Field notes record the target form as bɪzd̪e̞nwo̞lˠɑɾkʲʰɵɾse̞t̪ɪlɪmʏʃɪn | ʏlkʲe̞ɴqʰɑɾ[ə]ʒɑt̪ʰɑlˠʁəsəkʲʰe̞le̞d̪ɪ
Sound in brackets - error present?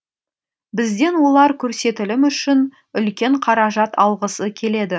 yes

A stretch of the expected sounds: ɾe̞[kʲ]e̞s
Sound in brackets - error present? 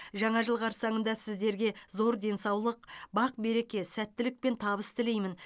no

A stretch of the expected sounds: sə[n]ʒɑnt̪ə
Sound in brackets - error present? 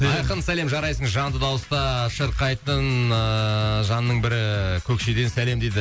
yes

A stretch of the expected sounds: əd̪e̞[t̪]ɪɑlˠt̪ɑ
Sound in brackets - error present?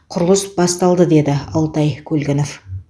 yes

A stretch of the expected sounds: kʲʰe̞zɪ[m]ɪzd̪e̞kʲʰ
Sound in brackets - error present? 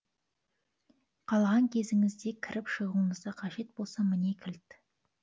yes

